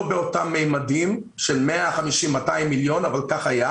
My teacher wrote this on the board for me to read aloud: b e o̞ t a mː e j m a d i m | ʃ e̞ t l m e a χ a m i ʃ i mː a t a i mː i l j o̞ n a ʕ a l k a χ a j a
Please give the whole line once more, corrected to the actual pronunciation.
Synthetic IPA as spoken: b e o̞ t a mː e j m a d i m | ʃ e̞ l m e a χ a m i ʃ i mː a t a i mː i l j o̞ n a v a l k a χ a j a